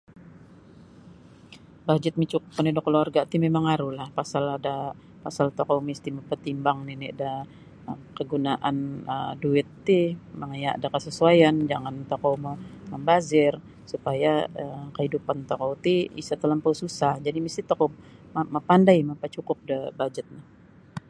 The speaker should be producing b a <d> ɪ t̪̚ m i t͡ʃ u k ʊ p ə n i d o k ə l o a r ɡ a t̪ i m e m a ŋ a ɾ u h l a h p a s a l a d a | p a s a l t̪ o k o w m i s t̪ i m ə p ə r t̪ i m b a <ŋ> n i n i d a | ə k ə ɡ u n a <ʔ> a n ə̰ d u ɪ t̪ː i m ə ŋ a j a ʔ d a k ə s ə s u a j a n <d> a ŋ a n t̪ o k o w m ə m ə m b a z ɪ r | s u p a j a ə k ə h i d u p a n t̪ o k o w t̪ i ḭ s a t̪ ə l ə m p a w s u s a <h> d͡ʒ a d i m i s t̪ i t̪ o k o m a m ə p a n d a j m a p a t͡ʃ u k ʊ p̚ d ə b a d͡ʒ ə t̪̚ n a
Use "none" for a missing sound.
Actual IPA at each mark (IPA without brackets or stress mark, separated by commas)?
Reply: d͡ʒ, ŋ, ʔ, d͡ʒ, h